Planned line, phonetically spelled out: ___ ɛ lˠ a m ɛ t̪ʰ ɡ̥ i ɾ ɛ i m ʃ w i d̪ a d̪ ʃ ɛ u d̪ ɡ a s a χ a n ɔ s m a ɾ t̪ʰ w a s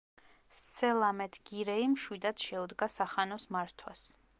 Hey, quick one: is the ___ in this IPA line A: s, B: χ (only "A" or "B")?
A